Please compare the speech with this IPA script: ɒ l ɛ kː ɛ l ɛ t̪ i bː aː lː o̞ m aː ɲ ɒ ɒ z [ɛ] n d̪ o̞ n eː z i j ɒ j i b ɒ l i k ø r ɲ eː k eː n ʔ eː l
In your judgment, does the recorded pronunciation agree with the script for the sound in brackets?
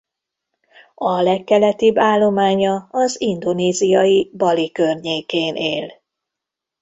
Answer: no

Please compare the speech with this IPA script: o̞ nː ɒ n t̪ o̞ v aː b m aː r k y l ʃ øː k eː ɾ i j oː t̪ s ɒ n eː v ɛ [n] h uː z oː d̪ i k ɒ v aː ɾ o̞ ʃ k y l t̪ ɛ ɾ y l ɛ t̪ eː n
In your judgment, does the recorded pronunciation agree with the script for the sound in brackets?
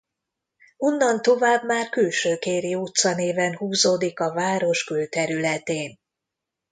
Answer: yes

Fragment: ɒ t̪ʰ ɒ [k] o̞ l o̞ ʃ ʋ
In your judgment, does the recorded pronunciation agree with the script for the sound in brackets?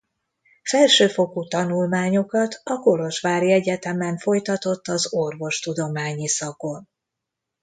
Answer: yes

